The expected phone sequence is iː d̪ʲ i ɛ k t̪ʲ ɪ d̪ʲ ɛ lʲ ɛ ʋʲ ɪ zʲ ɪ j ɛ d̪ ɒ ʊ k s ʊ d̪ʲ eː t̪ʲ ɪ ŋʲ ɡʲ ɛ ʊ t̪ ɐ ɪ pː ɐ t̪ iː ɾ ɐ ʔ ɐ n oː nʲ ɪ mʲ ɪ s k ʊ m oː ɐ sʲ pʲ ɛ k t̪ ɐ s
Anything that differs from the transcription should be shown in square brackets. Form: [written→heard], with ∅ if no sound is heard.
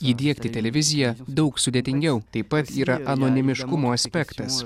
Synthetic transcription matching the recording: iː d̪ʲ i ɛ k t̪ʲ ɪ [d̪ʲ→t̪ʲ] ɛ lʲ ɛ ʋʲ ɪ zʲ ɪ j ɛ d̪ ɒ ʊ k s ʊ d̪ʲ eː t̪ʲ ɪ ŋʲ ɡʲ ɛ ʊ t̪ ɐ ɪ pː ɐ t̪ iː ɾ ɐ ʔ ɐ n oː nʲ ɪ mʲ ɪ [s→ʃ] k ʊ m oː ɐ sʲ pʲ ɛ k t̪ ɐ s